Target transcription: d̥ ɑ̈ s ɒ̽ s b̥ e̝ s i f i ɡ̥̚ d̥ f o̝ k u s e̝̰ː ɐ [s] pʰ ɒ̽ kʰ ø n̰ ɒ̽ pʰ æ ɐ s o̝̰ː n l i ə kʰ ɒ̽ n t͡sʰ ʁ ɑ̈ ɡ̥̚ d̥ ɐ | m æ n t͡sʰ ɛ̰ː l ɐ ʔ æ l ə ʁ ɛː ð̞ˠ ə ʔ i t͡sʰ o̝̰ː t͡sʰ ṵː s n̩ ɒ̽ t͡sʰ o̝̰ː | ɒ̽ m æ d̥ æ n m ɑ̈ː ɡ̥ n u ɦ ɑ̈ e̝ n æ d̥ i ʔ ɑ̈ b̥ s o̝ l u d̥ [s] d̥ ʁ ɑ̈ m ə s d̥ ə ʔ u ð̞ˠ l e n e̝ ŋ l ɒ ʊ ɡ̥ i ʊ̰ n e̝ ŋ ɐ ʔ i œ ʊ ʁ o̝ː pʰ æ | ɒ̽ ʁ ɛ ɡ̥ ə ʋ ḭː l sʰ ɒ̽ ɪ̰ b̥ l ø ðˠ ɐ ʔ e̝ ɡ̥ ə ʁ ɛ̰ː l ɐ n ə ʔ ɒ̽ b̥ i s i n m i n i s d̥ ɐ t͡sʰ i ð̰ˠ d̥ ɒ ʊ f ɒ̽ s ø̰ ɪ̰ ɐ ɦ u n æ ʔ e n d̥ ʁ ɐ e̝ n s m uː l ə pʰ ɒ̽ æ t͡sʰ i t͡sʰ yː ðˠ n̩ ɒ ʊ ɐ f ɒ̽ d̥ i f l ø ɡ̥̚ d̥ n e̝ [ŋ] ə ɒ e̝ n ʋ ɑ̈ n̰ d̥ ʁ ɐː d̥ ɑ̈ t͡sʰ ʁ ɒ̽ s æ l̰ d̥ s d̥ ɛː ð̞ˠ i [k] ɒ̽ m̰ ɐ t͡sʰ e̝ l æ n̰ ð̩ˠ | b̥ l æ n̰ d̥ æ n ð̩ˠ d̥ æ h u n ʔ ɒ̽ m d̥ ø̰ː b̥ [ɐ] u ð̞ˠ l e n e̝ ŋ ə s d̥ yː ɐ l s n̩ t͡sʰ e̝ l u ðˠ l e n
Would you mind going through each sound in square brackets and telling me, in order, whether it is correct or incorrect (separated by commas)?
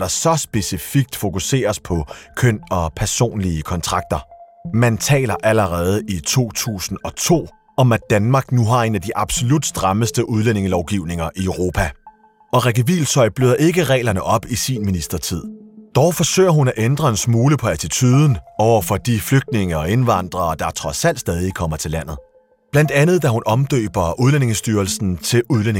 correct, correct, correct, incorrect, correct